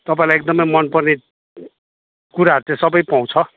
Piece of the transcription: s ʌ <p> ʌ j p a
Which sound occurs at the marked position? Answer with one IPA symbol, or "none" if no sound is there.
b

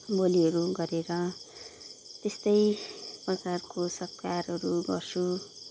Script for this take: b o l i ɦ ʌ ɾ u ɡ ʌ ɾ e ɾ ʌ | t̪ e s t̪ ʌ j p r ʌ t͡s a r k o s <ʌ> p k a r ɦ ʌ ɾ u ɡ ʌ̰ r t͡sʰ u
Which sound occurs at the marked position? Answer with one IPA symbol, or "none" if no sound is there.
ʌ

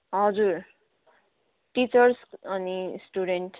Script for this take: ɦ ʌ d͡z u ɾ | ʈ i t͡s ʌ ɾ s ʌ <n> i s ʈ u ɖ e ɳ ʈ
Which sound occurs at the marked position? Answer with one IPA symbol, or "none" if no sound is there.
n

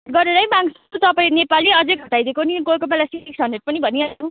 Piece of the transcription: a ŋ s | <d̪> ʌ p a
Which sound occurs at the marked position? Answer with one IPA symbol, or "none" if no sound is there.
t̪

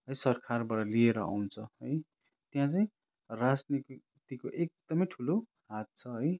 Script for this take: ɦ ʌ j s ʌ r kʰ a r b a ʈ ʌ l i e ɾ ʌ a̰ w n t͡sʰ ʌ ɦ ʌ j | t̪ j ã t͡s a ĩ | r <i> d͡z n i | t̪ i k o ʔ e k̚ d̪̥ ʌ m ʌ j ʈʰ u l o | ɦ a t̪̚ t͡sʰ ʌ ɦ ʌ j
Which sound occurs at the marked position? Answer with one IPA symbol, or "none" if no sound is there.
a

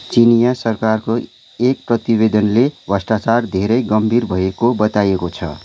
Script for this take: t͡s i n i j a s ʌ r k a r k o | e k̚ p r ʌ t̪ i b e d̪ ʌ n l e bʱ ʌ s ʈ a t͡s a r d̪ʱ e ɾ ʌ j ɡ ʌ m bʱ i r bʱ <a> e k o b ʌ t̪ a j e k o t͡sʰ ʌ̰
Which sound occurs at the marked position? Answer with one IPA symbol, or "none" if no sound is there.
ʌ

